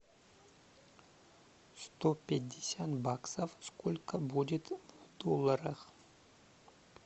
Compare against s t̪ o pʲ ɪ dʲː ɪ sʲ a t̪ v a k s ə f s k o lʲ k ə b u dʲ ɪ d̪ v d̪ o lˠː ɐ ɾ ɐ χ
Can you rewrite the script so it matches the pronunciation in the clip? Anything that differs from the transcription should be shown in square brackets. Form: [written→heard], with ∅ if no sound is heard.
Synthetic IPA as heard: s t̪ o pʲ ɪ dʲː ɪ sʲ a t̪ [v→b] a k s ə f s k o lʲ k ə b u dʲ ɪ [d̪→t̪] v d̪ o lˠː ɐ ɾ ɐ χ